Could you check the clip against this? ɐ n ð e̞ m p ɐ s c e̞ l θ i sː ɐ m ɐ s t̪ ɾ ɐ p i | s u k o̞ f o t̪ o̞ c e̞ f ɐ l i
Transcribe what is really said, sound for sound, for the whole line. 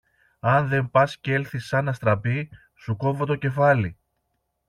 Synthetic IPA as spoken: ɐ n ð e̞ m p ɐ s c e̞ l θ i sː ɐ n ɐ s t̪ ɾ ɐ p i | s u k o̞ v o t̪ o̞ c e̞ f ɐ l i